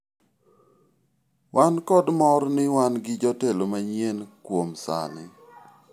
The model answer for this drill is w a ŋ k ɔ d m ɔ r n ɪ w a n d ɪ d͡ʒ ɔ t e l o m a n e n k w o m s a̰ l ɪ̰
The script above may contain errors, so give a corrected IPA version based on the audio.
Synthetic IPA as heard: w a n k ɔ d m ɔ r n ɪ w a n ɡ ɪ d͡ʒ ɔ t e l o m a ɲ e n k w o m s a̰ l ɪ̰